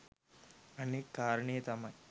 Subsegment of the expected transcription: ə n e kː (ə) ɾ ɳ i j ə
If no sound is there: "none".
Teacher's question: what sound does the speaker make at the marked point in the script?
a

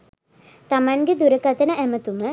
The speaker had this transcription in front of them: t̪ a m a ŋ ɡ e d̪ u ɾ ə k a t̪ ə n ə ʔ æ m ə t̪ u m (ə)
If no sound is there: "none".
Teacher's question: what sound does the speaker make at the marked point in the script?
ə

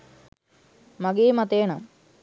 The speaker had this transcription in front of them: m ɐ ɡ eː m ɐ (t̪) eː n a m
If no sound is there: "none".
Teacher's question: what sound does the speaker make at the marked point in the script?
t̪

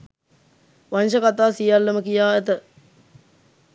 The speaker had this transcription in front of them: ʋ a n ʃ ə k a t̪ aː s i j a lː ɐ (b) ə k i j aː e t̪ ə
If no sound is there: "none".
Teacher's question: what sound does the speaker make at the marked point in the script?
m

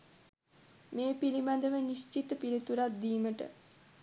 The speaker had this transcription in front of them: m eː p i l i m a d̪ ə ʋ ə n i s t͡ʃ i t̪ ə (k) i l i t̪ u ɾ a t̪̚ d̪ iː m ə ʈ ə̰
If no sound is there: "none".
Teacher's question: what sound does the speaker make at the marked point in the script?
p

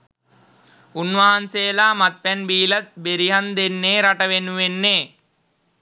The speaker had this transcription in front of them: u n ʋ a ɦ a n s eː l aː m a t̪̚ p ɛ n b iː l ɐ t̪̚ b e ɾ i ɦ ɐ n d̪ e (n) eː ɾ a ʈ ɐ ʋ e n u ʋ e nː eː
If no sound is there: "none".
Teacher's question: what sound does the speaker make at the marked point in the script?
nː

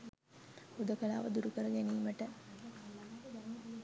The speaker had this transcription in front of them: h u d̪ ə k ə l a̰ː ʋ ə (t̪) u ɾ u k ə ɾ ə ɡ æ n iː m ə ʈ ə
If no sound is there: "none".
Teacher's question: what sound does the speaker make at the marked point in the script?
d̪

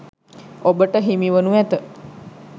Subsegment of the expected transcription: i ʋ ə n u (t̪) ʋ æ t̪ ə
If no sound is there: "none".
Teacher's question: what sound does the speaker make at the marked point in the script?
none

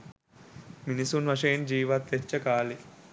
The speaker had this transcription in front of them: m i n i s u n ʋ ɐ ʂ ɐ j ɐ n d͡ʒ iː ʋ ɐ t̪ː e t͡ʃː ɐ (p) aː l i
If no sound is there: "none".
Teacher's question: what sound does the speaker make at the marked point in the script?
k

